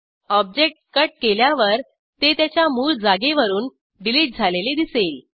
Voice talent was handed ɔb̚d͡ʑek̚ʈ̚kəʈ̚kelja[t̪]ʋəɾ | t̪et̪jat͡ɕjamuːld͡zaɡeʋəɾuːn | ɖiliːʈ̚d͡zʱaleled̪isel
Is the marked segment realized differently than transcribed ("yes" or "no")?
yes